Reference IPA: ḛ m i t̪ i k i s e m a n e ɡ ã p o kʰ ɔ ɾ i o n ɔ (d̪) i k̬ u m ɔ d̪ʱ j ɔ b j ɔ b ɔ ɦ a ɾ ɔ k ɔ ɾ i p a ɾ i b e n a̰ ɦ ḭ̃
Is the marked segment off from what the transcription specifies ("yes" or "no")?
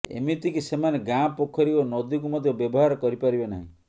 no